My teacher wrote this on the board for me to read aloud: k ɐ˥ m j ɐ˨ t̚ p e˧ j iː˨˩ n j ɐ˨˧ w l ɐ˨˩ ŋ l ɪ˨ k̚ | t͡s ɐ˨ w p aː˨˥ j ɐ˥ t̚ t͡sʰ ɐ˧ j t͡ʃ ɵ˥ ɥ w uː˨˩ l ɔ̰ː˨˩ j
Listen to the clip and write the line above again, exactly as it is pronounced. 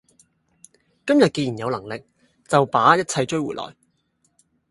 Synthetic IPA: k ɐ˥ m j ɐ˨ t̚ k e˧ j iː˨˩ n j ɐ˨˧ w l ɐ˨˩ ŋ l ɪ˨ k̚ | t͡s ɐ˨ w p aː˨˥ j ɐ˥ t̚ t͡sʰ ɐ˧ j t͡ʃ ɵ˥ ɥ w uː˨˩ l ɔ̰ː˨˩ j